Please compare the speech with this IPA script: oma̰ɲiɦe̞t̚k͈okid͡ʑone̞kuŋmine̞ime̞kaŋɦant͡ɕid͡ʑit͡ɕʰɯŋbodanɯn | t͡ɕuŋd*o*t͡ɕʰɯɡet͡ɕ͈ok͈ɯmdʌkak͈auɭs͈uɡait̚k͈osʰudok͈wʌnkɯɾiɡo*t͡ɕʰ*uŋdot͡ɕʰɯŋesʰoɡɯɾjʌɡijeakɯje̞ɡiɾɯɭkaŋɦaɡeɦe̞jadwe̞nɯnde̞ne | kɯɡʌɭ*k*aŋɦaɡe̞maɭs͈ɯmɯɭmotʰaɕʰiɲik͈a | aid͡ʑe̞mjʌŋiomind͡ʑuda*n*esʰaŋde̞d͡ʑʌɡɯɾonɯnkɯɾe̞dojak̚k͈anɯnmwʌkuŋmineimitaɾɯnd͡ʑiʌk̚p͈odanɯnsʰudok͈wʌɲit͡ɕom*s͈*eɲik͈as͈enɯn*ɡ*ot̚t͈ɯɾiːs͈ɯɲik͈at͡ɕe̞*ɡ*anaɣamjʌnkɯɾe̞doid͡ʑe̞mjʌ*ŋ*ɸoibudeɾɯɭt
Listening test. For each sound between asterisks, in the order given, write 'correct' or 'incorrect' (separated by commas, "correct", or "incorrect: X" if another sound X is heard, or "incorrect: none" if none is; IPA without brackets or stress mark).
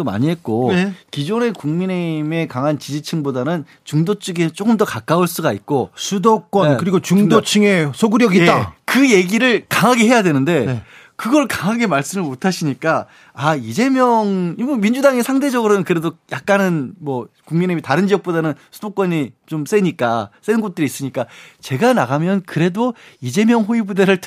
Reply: correct, incorrect: t͡ɕ, correct, incorrect: ŋ, correct, correct, correct, correct